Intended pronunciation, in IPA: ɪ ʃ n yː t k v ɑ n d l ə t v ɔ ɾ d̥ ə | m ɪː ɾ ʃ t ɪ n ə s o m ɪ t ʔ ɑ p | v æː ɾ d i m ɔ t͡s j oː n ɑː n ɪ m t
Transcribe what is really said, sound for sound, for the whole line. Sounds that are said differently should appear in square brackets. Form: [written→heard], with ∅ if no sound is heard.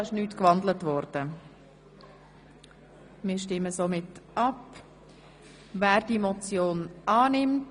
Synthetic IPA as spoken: ɪ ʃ n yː t k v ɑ n d l ə t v ɔ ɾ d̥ ə | m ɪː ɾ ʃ t ɪ [n→m] ə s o m ɪ t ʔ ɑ p | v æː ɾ d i m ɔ t͡s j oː n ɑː n ɪ m t

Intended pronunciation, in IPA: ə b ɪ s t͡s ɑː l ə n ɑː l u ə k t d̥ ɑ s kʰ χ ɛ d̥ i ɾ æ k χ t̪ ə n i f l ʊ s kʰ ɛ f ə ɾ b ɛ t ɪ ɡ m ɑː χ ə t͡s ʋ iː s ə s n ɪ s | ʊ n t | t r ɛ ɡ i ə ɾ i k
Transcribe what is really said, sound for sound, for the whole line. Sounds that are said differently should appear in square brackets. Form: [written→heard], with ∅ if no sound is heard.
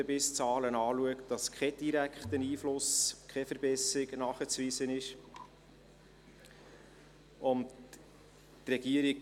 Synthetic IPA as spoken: ə b ɪ s t͡s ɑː l ə n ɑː l u ə k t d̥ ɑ s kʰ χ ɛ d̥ i ɾ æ k χ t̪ ə n [i→iː] f l ʊ s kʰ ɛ f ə ɾ b ɛ [t→s] ɪ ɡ [m→n] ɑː χ ə t͡s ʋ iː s ə [s→∅] n ɪ [s→ʃ] | ʊ n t | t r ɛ ɡ i ə ɾ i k

